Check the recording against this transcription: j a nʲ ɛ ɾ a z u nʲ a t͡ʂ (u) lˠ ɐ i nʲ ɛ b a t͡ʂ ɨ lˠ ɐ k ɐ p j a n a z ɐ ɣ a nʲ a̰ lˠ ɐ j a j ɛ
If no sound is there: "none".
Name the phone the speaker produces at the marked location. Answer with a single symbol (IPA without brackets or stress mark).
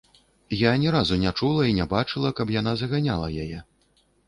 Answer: u